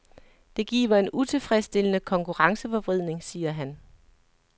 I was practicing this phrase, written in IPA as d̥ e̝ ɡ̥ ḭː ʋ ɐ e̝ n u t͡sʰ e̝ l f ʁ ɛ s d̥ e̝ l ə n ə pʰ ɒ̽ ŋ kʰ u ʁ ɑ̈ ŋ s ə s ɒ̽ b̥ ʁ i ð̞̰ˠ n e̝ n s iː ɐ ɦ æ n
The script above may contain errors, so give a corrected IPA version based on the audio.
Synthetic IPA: d̥ e̝ ɡ̥ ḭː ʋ ɐ e̝ n u t͡sʰ e̝ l f ʁ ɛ s d̥ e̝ l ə n ə kʰ ɒ̽ ŋ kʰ u ʁ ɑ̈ ŋ s ə f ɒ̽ b̥ ʁ i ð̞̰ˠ n e̝ ŋ s iː ɐ ɦ æ n